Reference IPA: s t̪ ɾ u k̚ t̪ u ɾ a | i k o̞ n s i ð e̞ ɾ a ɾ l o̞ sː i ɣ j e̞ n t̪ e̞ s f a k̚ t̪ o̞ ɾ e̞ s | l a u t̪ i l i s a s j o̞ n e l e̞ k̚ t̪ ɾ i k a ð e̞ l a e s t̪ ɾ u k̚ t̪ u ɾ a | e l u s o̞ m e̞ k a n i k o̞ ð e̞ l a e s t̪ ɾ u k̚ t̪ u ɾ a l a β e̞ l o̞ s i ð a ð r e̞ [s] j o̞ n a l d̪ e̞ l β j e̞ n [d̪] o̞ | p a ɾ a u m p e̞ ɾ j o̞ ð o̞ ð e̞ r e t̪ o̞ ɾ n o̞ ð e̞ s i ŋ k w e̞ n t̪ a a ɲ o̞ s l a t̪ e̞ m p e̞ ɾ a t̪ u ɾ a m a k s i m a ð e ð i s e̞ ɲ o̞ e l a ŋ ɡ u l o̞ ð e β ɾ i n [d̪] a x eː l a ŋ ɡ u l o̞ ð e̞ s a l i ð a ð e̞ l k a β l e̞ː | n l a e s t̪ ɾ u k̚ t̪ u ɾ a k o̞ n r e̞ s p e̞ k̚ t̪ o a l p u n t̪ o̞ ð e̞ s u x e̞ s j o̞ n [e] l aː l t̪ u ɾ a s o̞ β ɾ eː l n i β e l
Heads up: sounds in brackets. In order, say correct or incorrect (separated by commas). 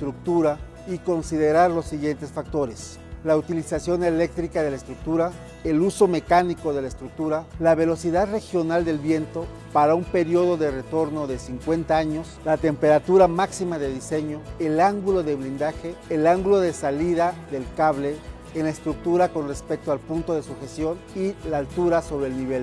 incorrect, incorrect, correct, incorrect